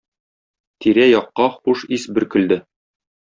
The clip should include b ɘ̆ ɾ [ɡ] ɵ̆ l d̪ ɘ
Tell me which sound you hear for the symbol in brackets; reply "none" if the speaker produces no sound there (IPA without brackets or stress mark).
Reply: k